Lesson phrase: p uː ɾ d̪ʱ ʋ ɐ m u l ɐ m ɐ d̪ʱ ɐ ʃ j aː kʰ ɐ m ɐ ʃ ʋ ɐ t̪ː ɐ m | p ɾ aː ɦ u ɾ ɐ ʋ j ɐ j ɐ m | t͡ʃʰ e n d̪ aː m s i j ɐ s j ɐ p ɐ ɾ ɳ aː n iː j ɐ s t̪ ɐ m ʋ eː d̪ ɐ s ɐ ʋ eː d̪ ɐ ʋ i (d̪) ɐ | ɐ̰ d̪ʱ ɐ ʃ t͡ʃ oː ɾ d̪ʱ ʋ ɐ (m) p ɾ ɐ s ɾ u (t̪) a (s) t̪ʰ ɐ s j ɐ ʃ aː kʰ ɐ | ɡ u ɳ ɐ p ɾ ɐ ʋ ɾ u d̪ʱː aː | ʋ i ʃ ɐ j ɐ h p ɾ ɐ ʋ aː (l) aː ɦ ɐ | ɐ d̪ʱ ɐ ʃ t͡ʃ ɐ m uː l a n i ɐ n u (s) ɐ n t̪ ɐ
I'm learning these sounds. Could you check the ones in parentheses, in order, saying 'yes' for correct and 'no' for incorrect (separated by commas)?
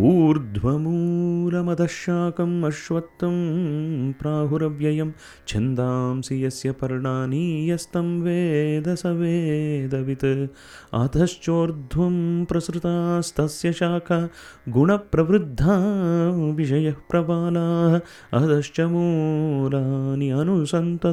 no, yes, yes, yes, yes, yes